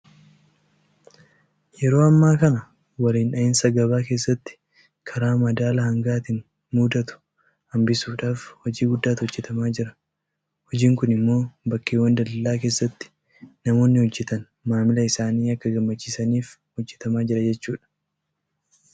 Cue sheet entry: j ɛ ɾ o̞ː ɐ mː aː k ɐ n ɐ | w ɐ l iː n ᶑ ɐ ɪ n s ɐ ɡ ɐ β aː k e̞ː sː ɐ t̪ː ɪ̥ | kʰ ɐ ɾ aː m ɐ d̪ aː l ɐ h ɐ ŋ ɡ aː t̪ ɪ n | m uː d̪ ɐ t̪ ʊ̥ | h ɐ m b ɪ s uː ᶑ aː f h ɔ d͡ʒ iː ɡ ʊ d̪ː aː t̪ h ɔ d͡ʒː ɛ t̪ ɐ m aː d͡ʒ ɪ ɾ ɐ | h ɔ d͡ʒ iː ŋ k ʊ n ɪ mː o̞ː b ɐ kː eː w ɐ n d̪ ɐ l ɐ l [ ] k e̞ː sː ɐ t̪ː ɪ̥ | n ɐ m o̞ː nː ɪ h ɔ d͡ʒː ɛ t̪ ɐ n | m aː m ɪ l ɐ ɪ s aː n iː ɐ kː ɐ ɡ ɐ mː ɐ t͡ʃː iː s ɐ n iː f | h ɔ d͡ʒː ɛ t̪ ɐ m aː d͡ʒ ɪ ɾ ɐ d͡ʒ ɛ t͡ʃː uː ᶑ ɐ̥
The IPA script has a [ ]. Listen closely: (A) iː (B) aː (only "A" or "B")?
B